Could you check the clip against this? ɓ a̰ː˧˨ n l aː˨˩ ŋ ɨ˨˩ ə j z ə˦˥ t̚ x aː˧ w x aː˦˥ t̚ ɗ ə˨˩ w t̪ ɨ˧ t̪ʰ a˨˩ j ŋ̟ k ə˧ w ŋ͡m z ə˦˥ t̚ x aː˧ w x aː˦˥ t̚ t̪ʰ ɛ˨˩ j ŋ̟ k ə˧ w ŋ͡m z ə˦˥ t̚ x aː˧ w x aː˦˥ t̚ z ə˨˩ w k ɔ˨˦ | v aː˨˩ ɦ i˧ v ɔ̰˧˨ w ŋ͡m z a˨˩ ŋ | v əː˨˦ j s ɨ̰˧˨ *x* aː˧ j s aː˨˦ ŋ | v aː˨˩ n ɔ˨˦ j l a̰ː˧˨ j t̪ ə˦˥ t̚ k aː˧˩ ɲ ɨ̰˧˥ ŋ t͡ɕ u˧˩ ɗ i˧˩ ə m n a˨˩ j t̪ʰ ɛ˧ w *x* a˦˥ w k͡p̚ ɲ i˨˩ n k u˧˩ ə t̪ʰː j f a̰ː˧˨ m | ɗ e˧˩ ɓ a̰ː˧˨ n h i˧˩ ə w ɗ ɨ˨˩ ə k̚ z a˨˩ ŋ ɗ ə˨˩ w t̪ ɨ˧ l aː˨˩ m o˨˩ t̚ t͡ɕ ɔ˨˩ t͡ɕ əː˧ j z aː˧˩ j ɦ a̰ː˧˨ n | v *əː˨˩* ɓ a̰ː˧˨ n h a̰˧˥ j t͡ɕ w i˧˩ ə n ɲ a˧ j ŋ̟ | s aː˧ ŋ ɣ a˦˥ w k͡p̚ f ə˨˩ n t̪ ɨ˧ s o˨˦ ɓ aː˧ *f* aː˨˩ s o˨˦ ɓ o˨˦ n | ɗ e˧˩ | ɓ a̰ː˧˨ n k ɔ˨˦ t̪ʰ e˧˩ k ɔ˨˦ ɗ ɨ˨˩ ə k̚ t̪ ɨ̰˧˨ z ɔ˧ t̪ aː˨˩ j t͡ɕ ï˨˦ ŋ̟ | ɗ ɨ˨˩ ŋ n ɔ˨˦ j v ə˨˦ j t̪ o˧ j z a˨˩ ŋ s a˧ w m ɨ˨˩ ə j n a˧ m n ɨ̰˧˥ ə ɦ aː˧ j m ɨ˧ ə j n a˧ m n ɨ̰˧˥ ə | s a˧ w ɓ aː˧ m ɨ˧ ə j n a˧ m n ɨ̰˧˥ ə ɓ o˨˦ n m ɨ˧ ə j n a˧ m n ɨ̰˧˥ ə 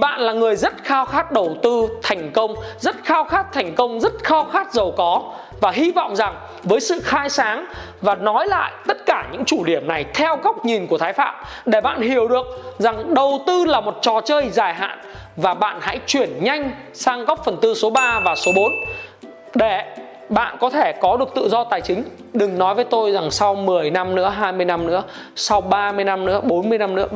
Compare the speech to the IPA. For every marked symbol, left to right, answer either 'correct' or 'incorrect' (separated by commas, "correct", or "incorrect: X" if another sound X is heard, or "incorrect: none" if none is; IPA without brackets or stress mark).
correct, incorrect: ɣ, incorrect: aː˨˩, incorrect: v